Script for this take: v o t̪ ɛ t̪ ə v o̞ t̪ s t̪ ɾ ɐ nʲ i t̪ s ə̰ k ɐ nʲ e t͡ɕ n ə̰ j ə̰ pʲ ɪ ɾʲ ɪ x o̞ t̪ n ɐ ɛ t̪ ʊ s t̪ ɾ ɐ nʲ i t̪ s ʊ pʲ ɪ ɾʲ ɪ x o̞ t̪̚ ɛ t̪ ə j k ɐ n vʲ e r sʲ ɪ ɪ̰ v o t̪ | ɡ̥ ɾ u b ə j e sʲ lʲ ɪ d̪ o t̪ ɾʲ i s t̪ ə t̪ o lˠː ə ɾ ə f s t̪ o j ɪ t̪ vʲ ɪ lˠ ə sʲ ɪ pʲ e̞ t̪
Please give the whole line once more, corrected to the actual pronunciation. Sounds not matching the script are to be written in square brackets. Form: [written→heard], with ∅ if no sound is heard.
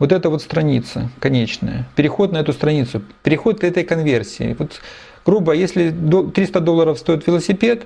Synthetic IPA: v o t̪ ɛ t̪ ə v o̞ t̪ s t̪ ɾ ɐ nʲ i t̪ s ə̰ k ɐ nʲ e t͡ɕ n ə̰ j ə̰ pʲ ɪ ɾʲ ɪ x o̞ t̪ n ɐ ɛ t̪ ʊ s t̪ ɾ ɐ nʲ i t̪ s ʊ pʲ ɪ ɾʲ ɪ x o̞ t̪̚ ɛ t̪ ə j k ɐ n vʲ e r sʲ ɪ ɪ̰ v o t̪ | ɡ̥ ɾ u b ə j e sʲ lʲ ɪ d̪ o t̪ ɾʲ i s t̪ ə [t̪→d̪] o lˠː ə ɾ ə f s t̪ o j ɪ t̪ vʲ ɪ lˠ ə sʲ ɪ pʲ e̞ t̪